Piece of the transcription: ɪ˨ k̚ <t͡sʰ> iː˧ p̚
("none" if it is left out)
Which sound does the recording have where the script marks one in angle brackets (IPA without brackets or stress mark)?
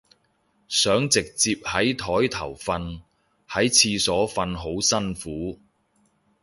t͡s